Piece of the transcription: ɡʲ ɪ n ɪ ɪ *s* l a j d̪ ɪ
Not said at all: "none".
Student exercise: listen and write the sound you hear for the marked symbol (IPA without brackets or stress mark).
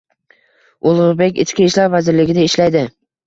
ʃ